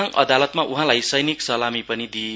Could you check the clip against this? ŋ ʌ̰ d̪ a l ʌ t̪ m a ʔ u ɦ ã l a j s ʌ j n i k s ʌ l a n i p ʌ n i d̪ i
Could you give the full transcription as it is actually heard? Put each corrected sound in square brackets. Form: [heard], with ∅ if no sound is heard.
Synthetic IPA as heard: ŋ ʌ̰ d̪ a l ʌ t̪ m a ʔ u ɦ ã l a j s ʌ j n i k s ʌ l a [m] i p ʌ n i d̪ i

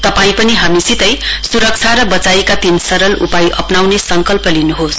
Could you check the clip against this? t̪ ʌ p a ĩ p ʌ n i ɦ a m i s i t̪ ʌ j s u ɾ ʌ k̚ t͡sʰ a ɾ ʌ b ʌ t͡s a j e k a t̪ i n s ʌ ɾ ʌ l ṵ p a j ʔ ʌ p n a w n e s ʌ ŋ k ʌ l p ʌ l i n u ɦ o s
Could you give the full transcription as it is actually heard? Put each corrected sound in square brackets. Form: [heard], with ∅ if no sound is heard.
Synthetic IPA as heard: t̪ ʌ p a ĩ p ʌ n i ɦ a m i s i t̪ ʌ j s u ɾ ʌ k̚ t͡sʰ a ɾ ʌ b ʌ t͡s a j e k a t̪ i n s ʌ ɾ ʌ l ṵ p a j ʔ ʌ p n a w n e s ʌ ŋ k ʌ l p ʌ l i n u ɦ o s

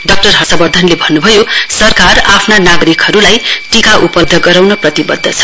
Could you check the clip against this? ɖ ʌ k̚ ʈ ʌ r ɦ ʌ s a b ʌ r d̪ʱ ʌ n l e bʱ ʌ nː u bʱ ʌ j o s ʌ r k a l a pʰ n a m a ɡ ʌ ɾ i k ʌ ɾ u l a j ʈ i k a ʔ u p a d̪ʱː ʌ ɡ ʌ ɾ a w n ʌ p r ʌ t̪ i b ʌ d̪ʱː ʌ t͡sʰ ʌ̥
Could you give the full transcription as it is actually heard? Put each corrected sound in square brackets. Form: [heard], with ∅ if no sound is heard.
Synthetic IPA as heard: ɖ ʌ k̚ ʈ ʌ r ɦ ʌ s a b ʌ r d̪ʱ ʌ n l e bʱ ʌ nː u bʱ ʌ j o s ʌ r k a [r] a pʰ n a [n] a ɡ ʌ ɾ i k ʌ ɾ u l a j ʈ i k a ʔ u p [ʌ] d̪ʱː ʌ ɡ ʌ ɾ a w n ʌ p r ʌ t̪ i b ʌ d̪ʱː ʌ t͡sʰ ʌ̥

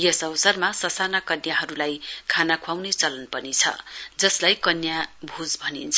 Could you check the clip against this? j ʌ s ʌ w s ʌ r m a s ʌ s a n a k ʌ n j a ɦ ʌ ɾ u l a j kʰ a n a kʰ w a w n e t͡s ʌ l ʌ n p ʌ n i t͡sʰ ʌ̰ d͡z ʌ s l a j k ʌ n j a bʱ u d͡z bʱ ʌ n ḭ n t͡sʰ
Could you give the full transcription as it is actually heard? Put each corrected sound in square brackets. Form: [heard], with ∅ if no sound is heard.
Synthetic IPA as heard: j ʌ s ʌ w s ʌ r m a s ʌ s a n a k ʌ n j a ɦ ʌ ɾ u l a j kʰ a n a kʰ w a w n e t͡s ʌ l ʌ n p ʌ n i t͡sʰ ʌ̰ d͡z ʌ s l a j k ʌ n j a bʱ u d͡z bʱ ʌ n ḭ n t͡sʰ

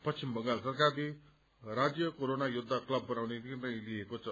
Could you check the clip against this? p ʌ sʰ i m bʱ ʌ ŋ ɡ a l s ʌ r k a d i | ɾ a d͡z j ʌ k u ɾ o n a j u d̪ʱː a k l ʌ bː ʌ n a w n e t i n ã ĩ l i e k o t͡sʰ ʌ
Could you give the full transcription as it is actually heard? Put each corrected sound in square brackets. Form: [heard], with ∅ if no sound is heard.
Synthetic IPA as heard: p ʌ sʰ i m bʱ ʌ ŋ ɡ a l s ʌ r k a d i | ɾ a d͡z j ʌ k [o] ɾ o n a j u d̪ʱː a k l ʌ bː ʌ n a w n e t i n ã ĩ l i e k o t͡sʰ ʌ

